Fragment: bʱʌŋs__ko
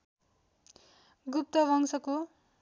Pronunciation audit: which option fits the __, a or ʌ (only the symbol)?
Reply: ʌ